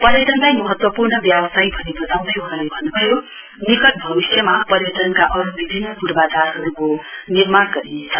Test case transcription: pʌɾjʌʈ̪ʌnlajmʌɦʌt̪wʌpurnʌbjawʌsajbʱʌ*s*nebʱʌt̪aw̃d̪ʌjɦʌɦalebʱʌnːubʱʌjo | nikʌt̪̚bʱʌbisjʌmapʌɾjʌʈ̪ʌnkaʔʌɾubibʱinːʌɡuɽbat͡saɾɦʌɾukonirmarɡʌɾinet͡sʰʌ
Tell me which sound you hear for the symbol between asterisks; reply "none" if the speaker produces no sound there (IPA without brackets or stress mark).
none